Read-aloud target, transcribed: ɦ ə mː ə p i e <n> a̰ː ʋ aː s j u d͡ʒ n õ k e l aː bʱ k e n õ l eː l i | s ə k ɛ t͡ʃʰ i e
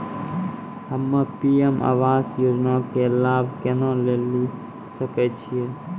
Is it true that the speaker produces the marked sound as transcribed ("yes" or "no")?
no